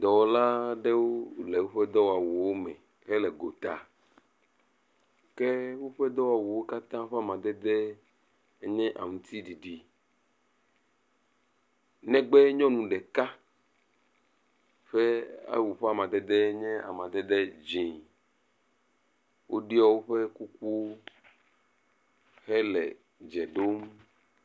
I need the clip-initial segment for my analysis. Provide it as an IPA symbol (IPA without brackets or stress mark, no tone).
d̪